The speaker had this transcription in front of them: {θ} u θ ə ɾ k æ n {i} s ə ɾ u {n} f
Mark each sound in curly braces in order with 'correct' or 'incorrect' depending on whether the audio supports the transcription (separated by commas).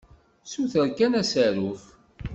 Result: incorrect, incorrect, incorrect